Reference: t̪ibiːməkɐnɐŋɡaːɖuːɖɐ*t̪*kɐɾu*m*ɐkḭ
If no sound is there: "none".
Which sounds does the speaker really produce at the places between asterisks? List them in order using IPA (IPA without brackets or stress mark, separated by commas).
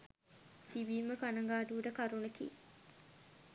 none, n